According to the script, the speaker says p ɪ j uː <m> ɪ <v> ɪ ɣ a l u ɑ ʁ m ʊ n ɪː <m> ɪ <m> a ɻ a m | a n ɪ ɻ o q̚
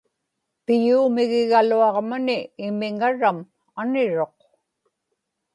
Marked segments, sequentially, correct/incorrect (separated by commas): correct, incorrect, correct, incorrect